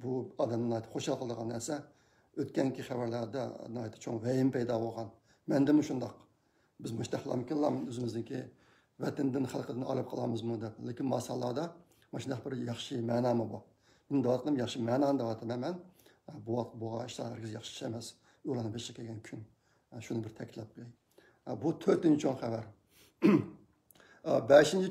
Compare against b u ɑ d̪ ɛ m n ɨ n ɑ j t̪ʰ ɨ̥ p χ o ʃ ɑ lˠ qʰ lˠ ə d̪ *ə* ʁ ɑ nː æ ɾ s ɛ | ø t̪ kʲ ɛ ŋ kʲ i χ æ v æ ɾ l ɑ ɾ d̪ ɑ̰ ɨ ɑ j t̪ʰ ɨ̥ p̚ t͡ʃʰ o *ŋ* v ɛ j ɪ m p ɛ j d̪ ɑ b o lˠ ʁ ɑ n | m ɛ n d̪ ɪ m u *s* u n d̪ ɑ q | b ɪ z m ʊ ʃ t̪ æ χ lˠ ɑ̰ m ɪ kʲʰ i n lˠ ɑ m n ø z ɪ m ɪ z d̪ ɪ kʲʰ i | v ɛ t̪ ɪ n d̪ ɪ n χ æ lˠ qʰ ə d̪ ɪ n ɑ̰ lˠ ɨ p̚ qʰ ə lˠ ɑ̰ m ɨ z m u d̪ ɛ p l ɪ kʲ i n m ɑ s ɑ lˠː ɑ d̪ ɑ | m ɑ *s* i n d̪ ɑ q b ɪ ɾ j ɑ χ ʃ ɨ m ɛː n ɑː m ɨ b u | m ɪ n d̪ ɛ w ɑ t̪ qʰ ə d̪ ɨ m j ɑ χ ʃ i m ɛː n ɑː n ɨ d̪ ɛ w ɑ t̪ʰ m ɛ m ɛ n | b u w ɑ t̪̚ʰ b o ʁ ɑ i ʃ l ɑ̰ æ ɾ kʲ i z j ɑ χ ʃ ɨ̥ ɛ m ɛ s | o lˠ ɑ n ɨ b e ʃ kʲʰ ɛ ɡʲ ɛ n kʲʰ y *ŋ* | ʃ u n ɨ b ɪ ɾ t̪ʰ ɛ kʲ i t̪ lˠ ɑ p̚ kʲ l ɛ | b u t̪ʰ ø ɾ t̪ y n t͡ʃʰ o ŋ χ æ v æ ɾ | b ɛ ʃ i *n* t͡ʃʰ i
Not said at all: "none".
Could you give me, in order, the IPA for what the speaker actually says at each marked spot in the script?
ə, ŋ, ʃ, ʃ, n, n

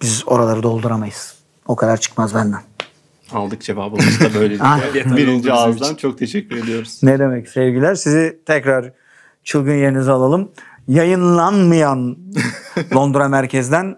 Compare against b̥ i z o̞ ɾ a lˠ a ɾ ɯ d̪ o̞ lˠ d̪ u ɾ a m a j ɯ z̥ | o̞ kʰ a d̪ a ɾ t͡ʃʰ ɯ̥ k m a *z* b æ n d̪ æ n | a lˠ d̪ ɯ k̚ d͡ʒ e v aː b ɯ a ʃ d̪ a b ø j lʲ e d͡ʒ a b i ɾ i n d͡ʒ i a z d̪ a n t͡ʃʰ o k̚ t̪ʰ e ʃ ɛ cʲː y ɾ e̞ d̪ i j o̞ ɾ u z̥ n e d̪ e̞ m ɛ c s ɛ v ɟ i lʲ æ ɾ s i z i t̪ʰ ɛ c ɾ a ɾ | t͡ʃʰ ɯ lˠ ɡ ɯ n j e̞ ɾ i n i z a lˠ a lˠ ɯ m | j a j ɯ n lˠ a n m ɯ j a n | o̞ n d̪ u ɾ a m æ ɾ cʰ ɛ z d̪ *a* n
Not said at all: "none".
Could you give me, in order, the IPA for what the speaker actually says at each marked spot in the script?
z, æ

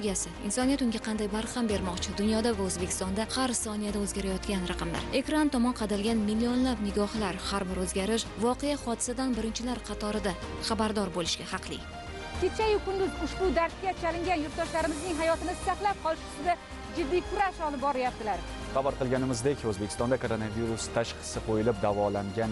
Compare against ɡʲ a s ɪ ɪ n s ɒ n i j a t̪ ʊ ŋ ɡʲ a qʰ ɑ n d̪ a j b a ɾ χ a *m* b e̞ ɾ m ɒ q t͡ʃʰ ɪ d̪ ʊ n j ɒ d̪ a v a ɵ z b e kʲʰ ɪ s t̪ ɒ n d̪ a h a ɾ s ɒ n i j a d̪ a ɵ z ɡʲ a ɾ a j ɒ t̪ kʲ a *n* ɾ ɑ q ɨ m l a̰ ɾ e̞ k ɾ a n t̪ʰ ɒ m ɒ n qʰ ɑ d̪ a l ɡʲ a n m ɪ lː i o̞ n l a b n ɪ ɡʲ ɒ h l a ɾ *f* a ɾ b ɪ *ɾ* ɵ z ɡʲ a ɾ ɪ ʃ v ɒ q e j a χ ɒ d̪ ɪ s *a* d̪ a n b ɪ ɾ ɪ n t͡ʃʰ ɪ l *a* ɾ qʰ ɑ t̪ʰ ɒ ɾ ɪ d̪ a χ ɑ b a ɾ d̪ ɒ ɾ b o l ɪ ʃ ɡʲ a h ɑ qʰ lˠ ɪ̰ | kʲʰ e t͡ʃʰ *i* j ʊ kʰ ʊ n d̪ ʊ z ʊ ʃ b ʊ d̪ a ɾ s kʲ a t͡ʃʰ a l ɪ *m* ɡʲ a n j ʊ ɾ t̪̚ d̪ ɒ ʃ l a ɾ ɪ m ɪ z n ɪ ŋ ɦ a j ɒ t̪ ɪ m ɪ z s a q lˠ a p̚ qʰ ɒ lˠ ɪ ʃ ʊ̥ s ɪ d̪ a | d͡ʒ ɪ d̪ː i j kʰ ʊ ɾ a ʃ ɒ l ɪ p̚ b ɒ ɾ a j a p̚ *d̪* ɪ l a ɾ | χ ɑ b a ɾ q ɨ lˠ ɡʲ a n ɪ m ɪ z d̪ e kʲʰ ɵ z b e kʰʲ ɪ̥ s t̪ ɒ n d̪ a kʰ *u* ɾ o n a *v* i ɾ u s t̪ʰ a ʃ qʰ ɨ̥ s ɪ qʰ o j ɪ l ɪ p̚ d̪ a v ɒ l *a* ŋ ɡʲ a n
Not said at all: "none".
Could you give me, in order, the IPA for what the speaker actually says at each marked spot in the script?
m, n, h, ɾ, a, a, a, ŋ, t̪, o, v, a

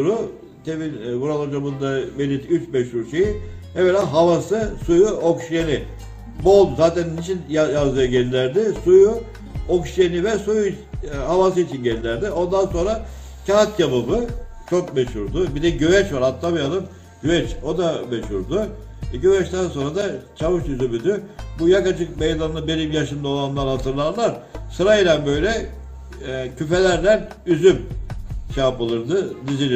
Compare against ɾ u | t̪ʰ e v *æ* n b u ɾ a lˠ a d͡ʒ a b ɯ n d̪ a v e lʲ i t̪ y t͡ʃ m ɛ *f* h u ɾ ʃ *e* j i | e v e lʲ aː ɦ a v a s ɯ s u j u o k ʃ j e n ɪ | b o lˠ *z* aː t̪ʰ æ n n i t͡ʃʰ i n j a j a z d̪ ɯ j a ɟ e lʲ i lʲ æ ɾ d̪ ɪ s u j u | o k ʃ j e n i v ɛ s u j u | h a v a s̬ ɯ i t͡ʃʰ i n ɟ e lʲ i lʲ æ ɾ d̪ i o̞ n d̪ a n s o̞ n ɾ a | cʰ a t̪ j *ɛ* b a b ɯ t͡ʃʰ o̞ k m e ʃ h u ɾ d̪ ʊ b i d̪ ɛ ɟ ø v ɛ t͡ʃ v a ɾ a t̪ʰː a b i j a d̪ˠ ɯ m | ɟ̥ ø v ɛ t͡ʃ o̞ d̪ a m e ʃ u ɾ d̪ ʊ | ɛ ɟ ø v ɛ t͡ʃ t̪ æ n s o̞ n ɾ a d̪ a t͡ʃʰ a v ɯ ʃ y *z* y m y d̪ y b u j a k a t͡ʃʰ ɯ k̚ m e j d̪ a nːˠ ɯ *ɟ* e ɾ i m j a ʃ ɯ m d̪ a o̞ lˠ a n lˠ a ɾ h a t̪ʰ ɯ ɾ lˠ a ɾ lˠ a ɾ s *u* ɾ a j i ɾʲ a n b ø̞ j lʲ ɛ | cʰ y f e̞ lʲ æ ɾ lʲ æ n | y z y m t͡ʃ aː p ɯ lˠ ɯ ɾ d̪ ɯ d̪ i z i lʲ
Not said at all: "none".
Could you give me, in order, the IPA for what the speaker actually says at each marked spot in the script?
i, ʃ, e, z, a, z, b, ɯ

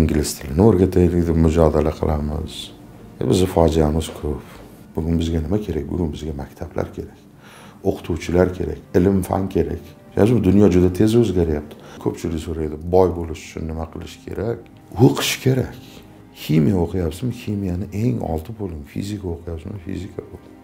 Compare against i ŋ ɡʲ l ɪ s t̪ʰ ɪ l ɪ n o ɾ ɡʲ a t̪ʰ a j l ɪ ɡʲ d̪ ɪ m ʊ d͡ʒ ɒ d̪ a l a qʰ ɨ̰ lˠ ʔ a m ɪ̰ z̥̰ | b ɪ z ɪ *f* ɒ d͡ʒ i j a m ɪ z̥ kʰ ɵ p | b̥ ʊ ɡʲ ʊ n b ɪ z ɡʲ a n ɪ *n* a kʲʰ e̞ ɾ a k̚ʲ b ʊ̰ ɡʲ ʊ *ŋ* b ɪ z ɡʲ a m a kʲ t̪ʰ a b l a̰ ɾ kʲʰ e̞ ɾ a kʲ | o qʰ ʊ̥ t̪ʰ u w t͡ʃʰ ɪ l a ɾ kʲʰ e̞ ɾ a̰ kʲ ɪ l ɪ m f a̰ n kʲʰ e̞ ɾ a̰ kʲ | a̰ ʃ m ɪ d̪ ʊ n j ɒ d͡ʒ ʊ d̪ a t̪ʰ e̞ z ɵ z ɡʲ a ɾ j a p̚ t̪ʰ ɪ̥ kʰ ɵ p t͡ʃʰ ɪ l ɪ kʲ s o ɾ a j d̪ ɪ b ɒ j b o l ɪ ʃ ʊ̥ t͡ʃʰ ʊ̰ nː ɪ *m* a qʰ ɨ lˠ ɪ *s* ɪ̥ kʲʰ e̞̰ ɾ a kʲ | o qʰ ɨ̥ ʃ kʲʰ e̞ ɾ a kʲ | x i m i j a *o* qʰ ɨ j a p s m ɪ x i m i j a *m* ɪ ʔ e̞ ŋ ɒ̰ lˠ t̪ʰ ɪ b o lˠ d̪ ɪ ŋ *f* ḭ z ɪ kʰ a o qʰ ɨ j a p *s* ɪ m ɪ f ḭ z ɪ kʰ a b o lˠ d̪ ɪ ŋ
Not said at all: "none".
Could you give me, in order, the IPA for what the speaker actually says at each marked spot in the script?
f, m, n, m, ʃ, o, n, f, s

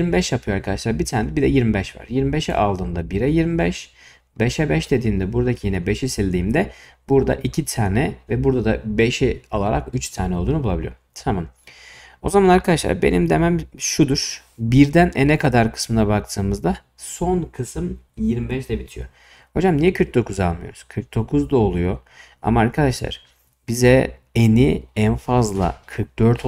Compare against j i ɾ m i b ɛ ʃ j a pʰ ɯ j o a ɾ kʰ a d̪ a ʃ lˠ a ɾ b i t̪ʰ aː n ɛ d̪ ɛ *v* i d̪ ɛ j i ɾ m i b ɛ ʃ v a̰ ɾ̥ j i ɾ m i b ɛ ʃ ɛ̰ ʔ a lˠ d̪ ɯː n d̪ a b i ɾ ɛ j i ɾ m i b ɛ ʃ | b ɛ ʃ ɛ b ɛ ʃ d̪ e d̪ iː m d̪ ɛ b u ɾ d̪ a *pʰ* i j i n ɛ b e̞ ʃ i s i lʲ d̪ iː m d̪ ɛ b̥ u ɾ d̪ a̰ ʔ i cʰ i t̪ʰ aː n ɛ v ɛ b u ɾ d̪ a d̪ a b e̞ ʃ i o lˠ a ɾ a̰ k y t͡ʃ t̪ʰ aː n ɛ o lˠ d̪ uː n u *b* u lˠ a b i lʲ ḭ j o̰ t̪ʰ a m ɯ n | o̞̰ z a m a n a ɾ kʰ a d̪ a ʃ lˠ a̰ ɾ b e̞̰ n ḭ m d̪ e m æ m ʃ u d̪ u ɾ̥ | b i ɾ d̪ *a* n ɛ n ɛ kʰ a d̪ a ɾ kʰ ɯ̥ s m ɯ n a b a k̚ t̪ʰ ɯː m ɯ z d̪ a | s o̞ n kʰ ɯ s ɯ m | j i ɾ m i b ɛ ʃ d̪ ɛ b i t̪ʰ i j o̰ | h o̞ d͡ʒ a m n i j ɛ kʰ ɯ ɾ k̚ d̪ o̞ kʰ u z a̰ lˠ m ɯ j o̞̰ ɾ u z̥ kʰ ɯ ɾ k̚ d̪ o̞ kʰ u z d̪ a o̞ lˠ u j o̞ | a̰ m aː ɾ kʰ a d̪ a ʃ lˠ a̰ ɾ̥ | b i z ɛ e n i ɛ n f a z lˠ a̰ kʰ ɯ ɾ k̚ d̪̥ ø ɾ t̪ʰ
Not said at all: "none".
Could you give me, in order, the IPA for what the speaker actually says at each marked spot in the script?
b, cʰ, b, æ

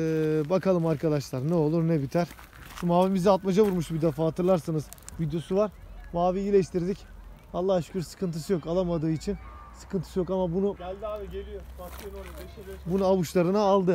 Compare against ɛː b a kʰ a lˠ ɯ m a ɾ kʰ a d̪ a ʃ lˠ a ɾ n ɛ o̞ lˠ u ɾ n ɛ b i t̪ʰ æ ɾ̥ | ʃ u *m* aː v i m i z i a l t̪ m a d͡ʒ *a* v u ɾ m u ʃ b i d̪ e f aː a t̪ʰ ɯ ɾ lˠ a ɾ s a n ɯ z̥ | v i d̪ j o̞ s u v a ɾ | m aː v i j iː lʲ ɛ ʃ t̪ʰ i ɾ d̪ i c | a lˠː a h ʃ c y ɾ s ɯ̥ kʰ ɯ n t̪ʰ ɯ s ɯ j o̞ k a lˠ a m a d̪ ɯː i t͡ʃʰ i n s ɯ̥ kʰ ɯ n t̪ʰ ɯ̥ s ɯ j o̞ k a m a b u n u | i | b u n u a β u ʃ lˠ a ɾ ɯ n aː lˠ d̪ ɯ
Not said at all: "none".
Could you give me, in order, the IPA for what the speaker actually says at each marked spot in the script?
m, a

